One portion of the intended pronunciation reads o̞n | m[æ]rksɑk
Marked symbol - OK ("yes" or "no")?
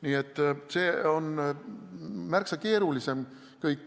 yes